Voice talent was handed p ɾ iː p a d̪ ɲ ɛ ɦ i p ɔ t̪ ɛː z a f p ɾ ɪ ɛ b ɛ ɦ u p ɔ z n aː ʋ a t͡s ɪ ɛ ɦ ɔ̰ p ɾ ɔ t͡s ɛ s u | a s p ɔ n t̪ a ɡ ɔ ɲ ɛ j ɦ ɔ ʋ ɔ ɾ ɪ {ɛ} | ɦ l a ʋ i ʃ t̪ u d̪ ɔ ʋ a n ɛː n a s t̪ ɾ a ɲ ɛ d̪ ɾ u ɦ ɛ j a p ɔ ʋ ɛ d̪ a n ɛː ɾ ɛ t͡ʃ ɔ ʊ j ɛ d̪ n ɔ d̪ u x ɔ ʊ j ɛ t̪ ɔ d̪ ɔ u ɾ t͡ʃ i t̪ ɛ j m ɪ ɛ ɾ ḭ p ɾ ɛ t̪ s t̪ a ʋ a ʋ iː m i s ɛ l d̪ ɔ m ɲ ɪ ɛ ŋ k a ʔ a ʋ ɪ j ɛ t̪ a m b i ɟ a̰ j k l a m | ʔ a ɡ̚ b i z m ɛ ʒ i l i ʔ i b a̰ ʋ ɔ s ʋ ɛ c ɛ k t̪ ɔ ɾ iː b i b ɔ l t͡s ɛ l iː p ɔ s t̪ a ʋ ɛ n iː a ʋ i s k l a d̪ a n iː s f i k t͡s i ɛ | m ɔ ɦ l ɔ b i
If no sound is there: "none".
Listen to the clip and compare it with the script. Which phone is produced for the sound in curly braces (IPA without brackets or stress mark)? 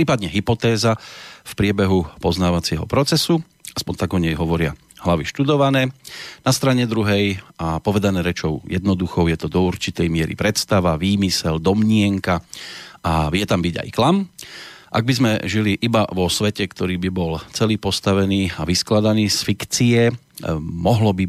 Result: a